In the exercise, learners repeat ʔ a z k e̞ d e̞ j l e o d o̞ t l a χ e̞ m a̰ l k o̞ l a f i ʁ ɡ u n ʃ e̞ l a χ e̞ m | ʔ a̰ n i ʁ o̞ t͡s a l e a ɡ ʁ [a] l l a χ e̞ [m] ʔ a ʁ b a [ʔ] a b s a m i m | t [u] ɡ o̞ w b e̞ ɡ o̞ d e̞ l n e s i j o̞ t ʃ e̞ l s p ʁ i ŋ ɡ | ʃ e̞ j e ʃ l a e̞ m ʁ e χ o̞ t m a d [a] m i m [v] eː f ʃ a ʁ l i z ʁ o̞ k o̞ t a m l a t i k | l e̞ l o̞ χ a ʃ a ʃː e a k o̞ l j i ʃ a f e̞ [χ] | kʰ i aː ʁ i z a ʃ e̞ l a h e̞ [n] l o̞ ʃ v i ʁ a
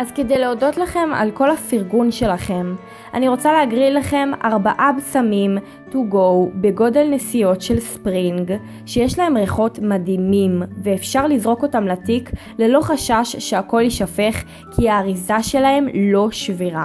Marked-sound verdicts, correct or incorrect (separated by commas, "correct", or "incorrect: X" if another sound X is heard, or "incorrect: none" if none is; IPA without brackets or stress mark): incorrect: i, correct, correct, correct, incorrect: i, correct, correct, incorrect: m